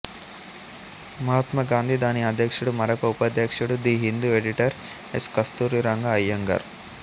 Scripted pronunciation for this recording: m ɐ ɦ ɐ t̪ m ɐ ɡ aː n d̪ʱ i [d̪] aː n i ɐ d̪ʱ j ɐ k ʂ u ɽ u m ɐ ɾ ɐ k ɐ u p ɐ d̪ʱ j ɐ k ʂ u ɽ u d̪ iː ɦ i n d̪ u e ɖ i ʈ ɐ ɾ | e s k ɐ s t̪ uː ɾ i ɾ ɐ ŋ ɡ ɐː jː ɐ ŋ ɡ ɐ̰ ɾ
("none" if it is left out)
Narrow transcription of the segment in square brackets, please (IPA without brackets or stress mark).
d̪